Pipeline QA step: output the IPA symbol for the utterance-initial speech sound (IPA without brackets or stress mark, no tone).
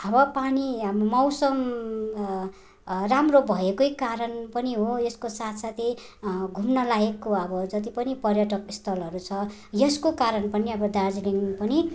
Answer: ʌ